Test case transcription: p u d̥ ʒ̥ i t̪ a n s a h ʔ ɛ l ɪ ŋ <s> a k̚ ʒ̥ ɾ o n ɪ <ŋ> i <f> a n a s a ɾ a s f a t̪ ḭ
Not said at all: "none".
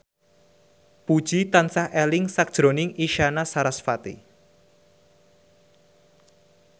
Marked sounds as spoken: s, ŋ, ʃ

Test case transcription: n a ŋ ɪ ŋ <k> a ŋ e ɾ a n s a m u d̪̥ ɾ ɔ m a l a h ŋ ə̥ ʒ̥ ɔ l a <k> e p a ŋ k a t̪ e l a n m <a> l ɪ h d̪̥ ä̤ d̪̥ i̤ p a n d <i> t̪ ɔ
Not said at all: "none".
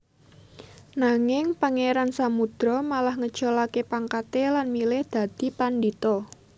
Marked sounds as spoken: p, k, i, i

